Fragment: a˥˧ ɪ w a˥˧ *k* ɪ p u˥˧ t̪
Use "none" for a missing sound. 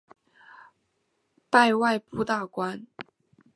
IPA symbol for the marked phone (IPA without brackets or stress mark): none